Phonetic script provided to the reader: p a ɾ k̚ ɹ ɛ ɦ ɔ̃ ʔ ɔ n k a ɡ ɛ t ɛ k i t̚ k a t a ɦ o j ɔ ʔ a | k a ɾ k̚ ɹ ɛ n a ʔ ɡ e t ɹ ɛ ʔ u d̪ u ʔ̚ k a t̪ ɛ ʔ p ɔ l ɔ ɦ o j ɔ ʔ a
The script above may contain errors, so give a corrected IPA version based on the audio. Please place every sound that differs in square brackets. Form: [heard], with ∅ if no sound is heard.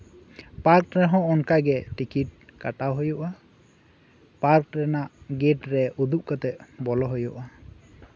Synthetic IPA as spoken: p a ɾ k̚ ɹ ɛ ɦ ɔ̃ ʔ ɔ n k a ɡ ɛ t [i] k i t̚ k a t a ɦ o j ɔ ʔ a | [p] a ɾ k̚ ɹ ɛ n a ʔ ɡ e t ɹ ɛ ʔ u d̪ u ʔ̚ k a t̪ ɛ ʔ [b] ɔ l ɔ ɦ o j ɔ ʔ a